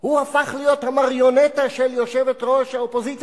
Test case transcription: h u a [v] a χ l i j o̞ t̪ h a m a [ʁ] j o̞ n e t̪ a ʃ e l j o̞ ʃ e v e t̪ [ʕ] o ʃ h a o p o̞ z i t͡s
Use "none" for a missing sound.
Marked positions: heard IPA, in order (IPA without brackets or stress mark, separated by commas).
f, ʁ, ʁ